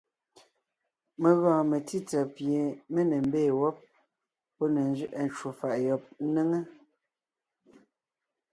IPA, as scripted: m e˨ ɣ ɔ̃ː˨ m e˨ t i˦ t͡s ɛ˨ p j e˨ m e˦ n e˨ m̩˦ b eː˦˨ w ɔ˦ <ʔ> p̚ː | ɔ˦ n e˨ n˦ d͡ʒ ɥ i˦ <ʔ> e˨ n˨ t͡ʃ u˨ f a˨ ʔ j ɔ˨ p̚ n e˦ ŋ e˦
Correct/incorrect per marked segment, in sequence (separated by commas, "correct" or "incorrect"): incorrect, correct